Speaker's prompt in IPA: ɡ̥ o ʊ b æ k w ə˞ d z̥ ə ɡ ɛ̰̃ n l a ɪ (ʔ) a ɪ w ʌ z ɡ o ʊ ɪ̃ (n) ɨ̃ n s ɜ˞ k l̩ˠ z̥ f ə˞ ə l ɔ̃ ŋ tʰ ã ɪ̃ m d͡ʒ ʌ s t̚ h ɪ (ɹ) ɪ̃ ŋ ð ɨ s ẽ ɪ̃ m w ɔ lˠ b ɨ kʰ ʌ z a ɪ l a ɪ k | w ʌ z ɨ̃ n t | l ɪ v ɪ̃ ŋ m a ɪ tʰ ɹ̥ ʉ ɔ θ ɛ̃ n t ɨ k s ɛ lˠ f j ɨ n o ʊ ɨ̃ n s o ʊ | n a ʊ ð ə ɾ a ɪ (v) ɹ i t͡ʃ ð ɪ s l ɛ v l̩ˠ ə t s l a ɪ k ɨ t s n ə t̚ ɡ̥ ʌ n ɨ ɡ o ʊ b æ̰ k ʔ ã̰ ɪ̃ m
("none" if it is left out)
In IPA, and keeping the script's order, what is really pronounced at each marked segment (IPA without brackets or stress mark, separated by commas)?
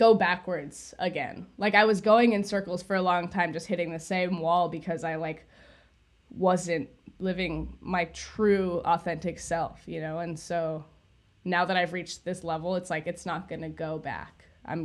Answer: k, ŋ, ɾ, v